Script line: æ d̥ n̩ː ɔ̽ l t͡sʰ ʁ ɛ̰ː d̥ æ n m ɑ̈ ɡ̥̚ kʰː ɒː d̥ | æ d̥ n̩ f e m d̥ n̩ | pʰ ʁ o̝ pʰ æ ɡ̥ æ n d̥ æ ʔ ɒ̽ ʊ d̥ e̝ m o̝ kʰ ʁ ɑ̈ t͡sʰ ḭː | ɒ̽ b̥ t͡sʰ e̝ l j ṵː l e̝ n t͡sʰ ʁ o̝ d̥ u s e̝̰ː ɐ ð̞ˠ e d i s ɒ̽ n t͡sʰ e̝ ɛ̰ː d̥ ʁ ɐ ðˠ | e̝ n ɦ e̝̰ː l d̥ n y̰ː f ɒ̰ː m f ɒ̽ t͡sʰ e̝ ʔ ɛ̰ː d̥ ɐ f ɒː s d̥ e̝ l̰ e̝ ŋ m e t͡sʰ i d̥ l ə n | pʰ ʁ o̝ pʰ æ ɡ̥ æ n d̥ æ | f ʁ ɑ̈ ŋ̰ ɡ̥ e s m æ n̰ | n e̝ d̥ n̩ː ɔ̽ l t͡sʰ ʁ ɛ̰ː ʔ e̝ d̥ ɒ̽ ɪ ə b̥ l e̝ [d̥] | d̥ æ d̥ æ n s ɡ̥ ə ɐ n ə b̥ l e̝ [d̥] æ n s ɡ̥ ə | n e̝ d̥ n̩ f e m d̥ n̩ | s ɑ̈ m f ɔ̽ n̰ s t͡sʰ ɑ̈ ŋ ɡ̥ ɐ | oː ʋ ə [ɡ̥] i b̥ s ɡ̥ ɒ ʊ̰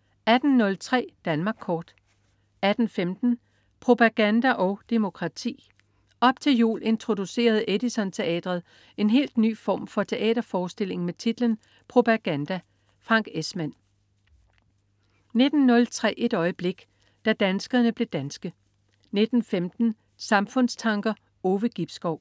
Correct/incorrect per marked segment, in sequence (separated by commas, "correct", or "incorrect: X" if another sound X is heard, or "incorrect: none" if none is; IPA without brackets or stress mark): incorrect: ɡ̥, correct, correct